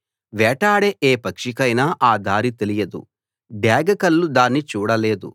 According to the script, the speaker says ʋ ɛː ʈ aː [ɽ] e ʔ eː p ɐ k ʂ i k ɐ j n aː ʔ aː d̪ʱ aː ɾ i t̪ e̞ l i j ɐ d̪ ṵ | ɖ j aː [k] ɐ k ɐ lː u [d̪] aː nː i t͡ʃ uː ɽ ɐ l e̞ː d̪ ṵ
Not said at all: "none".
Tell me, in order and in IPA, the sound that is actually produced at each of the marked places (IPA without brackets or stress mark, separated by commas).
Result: ɽ, ɡ, d̪